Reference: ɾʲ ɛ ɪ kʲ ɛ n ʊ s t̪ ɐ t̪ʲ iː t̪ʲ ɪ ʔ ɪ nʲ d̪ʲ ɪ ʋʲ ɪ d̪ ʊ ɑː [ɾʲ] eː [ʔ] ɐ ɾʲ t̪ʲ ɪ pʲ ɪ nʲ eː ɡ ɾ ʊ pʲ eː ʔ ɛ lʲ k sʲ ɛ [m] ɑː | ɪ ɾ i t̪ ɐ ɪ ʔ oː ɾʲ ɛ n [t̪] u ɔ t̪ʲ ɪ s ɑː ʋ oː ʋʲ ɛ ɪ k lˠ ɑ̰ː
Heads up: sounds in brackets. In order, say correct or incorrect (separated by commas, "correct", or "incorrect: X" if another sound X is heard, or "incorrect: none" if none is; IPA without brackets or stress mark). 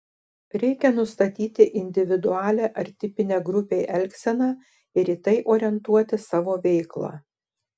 incorrect: lʲ, correct, incorrect: n, correct